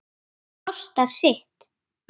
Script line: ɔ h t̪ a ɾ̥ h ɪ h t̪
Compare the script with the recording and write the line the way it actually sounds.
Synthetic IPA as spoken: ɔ s t̪ a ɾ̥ s ɪ h t̪